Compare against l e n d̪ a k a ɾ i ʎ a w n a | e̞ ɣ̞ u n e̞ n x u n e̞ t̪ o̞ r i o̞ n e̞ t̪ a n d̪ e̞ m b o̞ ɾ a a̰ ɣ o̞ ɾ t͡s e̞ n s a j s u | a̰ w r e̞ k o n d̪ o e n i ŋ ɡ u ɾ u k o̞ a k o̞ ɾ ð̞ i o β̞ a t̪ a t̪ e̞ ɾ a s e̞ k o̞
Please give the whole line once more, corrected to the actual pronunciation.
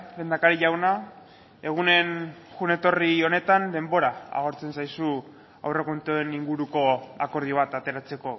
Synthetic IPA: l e n d̪ a k a ɾ i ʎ a w n a | e̞ ɣ̞ u n e̞ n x u n e̞ t̪ o̞ r i o̞ n e̞ t̪ a n d̪ e̞ m b o̞ ɾ a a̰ ɣ o̞ ɾ t͡s e̞ n s a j s u | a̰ w r e̞ k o n t̪ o e n i ŋ ɡ u ɾ u k o̞ a k o̞ ɾ ð̞ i o β̞ a t̪ a t̪ e̞ ɾ a t͡s e̞ k o̞